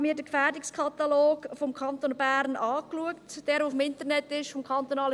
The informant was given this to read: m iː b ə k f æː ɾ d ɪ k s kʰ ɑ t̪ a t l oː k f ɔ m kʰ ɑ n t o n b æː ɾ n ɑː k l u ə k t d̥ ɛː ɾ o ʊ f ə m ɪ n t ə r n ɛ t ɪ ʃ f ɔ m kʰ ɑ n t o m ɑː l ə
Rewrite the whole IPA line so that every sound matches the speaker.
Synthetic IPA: m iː d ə k f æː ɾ d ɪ k s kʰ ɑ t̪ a l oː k f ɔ m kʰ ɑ n t o n b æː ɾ n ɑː k l u ə k t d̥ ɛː ɾ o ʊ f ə m ɪ n t ə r n ɛ t ɪ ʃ f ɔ m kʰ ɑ n t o n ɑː l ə